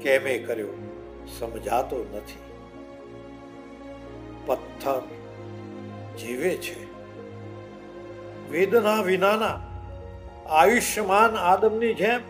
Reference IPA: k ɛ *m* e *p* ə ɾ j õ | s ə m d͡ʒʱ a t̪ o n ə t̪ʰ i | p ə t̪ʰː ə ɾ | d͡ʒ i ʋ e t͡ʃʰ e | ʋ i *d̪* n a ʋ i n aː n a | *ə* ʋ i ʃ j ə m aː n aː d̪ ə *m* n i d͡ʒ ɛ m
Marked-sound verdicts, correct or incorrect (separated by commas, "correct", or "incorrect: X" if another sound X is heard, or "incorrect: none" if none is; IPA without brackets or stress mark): correct, incorrect: k, correct, incorrect: a, correct